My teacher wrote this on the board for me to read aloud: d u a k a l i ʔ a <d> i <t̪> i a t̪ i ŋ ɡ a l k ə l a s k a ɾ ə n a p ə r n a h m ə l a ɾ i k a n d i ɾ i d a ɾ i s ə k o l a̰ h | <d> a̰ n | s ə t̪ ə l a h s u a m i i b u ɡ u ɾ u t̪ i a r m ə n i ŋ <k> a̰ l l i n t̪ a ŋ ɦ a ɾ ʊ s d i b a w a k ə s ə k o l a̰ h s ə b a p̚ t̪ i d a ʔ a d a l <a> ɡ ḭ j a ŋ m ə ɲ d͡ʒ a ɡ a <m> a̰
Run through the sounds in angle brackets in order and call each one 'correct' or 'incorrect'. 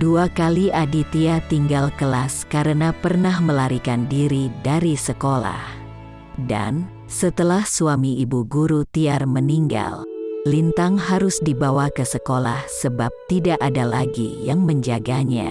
correct, correct, correct, incorrect: ɡ, correct, incorrect: ɲ

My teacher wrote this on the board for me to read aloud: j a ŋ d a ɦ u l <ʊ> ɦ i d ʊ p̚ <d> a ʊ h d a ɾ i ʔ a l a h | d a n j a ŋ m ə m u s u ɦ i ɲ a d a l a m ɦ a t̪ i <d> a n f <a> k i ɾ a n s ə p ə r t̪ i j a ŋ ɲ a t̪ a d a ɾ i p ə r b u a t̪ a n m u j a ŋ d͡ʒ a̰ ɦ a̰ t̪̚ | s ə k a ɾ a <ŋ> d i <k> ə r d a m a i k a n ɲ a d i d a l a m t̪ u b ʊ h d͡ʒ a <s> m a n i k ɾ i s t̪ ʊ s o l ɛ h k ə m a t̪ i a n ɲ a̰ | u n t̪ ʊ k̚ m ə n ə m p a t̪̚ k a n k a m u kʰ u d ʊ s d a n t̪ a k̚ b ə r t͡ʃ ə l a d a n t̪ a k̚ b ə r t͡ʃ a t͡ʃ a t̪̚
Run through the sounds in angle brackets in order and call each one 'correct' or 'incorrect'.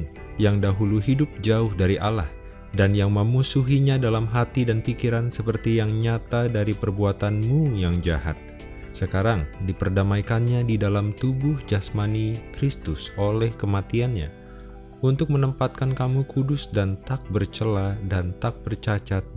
incorrect: u, incorrect: d͡ʒ, correct, incorrect: i, correct, incorrect: p, correct

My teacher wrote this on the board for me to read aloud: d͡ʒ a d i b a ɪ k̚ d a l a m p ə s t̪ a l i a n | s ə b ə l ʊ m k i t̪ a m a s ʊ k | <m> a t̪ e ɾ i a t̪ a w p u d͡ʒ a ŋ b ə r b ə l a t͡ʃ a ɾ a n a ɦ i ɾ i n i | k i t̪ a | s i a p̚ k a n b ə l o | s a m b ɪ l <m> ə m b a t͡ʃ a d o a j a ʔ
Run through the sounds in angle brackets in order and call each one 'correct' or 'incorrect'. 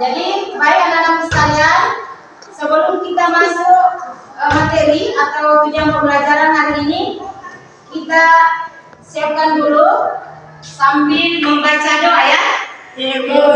correct, correct

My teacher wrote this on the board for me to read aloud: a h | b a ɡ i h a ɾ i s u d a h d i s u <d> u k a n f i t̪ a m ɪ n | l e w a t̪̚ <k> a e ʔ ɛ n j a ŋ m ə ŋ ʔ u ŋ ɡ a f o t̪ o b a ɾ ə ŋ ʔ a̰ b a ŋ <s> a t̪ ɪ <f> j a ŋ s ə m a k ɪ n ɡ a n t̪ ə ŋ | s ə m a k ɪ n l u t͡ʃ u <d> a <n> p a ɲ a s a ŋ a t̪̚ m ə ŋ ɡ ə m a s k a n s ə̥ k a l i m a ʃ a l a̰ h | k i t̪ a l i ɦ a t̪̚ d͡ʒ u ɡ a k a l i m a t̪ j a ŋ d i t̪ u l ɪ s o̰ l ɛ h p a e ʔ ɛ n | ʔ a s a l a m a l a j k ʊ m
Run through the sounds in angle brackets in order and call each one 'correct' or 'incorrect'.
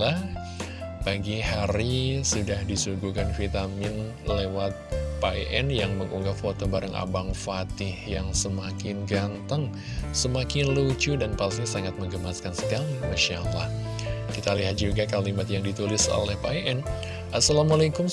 incorrect: ɡ, incorrect: p, incorrect: f, incorrect: h, correct, correct

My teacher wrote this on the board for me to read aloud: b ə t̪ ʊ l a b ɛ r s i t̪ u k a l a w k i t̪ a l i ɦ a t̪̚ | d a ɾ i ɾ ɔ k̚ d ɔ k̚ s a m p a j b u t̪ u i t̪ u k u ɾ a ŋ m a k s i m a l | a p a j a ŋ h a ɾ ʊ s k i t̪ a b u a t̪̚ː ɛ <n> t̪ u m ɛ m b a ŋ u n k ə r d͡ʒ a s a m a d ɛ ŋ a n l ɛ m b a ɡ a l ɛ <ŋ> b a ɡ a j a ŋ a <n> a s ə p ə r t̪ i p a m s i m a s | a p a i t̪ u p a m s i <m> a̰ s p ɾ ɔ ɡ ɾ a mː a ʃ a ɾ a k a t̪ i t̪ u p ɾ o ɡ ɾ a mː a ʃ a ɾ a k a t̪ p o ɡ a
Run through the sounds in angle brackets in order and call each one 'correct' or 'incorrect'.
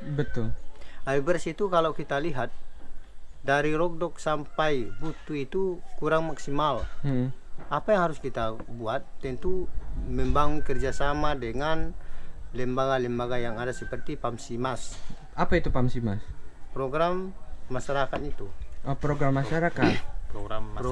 correct, incorrect: m, incorrect: d, correct

